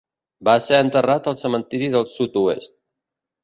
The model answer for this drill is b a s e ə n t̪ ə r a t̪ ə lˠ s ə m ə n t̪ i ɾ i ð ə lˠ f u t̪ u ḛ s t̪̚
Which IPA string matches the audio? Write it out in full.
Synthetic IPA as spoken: b a s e ə n t̪ ə r a t̪ ə lˠ s ə m ə n t̪ i ɾ i ð ə lˠ s u t̪ u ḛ s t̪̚